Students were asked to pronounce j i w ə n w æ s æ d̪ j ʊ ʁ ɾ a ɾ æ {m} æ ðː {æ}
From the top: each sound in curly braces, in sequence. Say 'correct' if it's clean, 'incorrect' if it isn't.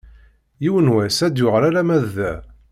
correct, correct

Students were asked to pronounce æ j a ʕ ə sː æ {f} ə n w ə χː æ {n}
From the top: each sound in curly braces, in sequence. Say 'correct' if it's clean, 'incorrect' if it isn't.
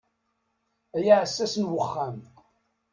incorrect, incorrect

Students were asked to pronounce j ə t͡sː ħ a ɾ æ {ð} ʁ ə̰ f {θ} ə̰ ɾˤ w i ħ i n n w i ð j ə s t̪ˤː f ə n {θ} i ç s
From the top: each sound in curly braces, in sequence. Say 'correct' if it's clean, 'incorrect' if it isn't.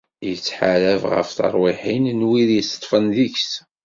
incorrect, correct, incorrect

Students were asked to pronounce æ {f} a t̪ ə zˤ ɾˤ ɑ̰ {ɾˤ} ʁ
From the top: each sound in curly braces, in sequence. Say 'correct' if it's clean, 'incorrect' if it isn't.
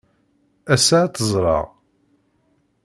incorrect, incorrect

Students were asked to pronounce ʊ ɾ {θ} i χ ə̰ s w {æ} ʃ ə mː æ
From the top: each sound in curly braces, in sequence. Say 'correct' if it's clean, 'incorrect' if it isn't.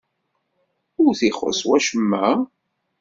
correct, correct

